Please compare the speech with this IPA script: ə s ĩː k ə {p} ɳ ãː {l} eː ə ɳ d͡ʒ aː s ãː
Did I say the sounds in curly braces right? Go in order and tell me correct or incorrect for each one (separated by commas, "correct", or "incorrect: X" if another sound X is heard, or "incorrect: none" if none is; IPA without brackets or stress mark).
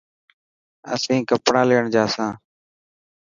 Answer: correct, correct